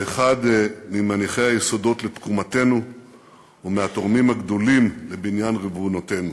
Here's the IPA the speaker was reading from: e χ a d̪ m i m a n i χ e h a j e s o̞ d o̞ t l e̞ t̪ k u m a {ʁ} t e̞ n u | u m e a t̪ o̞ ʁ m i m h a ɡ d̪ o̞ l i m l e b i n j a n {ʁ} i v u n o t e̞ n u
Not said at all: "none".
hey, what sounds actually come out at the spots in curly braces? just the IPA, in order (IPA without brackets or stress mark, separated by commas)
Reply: none, ʁ